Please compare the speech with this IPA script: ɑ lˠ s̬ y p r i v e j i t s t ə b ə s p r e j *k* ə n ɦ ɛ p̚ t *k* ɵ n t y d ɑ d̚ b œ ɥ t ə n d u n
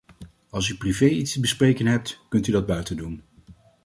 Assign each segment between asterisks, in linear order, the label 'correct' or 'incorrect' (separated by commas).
correct, correct